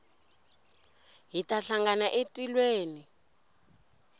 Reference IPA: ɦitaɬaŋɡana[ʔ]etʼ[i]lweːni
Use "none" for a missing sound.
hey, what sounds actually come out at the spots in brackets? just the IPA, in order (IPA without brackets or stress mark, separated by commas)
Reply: ʔ, i